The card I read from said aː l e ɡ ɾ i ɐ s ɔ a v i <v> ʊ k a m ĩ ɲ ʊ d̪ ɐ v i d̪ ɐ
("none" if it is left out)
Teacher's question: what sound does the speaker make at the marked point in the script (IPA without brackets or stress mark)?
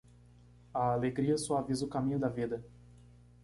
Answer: z